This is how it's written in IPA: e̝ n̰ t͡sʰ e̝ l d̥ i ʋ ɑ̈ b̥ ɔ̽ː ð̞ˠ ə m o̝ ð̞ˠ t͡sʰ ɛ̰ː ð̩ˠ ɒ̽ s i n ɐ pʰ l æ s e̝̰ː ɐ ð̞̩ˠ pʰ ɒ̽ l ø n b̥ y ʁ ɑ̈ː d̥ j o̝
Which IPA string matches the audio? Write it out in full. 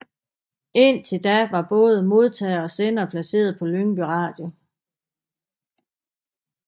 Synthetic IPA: e̝ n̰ t͡sʰ e̝ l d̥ æ ʋ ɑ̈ b̥ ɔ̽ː ð̞ˠ ə m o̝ ð̞ˠ t͡sʰ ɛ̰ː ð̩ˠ ɒ̽ s e n ɐ pʰ l æ s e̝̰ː ɐ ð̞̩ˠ pʰ ɒ̽ l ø ŋ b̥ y ʁ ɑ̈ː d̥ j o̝